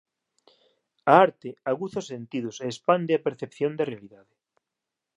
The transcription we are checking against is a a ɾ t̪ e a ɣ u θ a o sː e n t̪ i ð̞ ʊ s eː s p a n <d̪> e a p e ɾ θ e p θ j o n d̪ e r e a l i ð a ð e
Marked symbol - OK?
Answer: yes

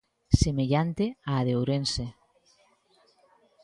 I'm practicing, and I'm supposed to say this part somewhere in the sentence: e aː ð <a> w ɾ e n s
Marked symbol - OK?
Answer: no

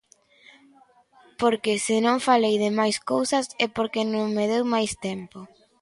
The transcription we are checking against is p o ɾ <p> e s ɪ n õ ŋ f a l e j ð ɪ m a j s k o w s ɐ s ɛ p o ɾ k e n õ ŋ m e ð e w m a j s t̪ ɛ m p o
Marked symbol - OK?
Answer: no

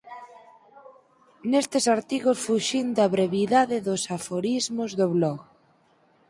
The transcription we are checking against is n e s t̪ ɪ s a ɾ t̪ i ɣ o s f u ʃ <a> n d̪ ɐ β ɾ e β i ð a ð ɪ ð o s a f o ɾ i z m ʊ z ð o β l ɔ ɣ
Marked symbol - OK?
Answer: no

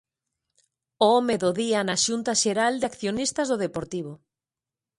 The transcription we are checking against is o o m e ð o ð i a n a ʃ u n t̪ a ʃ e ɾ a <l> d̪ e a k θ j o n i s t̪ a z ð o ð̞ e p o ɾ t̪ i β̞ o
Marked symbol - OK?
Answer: yes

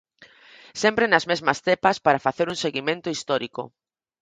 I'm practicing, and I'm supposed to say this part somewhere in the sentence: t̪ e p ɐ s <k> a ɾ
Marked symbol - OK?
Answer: no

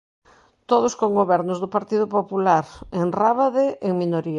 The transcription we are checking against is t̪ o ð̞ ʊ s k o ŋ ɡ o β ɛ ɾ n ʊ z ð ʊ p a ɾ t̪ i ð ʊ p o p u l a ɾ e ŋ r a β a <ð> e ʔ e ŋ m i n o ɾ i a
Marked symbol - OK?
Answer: yes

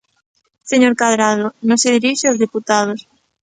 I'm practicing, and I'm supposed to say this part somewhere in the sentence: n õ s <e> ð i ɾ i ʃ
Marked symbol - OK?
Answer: yes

